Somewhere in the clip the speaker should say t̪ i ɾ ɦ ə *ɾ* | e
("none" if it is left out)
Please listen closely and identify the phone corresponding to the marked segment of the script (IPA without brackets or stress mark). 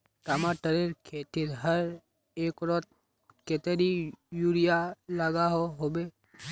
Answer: ɾ